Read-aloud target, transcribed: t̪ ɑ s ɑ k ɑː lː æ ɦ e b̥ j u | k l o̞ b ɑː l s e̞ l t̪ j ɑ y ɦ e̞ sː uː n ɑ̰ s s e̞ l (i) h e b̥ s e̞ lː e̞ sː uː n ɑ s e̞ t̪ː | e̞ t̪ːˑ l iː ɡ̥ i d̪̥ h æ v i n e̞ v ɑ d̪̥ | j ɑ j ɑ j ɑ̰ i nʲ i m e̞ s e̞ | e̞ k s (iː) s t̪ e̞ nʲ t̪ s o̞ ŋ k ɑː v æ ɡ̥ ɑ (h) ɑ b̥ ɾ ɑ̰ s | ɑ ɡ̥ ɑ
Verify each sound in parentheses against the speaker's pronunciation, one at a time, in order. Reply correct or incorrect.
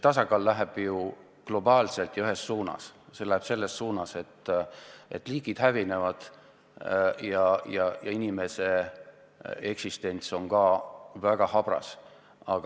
incorrect, incorrect, correct

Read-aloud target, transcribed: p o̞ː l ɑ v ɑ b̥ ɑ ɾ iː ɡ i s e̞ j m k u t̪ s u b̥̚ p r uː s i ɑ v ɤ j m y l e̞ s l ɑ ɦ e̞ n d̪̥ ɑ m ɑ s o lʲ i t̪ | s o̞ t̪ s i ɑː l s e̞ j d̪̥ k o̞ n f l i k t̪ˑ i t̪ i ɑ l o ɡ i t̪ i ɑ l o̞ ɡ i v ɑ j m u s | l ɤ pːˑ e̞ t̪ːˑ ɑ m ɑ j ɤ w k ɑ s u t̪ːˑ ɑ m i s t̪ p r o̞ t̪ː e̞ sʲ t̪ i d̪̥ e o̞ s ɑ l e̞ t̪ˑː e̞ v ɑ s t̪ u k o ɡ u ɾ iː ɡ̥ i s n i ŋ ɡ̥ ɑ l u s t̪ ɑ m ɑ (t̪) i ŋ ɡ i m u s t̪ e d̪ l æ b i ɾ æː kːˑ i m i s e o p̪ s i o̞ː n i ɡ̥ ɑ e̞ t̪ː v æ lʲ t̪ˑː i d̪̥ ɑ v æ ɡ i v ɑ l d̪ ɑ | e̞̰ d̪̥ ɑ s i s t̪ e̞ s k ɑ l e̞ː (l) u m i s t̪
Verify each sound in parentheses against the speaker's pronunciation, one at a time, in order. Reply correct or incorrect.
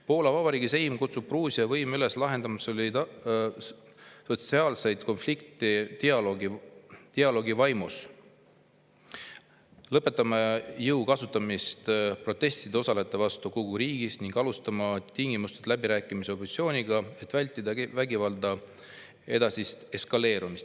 correct, incorrect

